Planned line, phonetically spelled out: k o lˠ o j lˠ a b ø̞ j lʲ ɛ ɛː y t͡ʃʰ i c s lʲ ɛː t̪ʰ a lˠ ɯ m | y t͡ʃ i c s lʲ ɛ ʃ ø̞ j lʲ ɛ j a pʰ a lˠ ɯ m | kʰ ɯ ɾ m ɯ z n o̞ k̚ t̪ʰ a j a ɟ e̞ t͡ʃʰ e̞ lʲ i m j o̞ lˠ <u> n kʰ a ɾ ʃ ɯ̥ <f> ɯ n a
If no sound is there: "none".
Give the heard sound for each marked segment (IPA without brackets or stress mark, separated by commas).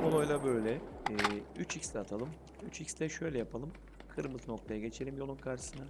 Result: u, s